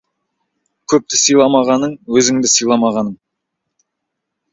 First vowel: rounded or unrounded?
rounded